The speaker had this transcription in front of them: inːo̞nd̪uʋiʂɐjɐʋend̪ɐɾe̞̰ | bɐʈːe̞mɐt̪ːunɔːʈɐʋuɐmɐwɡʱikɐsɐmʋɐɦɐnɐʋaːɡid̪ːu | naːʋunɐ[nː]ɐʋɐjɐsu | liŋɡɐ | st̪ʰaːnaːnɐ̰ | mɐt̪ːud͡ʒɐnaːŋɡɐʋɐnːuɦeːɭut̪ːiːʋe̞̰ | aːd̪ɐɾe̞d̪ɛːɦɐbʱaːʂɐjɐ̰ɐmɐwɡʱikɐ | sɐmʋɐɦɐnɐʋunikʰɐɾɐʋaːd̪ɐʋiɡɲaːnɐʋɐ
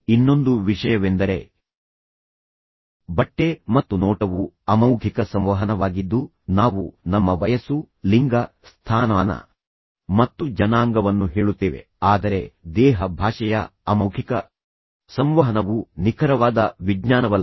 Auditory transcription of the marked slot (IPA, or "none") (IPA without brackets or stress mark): mː